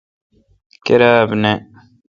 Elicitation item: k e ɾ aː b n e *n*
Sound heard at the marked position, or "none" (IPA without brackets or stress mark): none